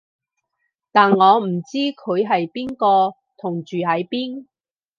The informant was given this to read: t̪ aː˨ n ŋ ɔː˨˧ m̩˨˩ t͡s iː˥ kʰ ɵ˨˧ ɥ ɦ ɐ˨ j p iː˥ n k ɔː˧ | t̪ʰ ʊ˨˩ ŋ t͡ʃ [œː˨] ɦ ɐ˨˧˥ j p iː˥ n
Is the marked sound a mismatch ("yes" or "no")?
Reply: yes